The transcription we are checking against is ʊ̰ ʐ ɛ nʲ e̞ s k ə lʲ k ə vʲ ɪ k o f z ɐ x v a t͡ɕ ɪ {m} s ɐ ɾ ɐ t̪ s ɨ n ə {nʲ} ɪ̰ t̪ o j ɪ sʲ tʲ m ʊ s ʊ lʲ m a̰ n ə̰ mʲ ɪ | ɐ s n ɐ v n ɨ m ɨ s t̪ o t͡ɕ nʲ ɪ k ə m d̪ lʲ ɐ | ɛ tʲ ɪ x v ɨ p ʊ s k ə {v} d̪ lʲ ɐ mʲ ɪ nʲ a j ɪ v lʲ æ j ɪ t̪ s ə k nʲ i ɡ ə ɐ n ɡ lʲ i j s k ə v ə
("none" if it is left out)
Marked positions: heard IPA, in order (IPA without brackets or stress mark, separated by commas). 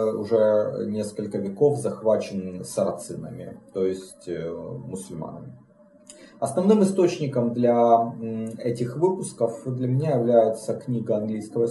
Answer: n, mʲ, f